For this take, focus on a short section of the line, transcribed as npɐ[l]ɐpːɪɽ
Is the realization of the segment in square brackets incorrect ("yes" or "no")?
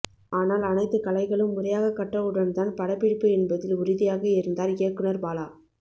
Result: yes